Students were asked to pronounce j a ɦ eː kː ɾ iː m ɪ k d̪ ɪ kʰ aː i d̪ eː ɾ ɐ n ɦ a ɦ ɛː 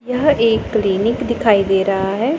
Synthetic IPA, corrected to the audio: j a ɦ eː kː l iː n ɪ k d̪ ɪ kʰ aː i d̪ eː ɾ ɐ ɦ a ɦ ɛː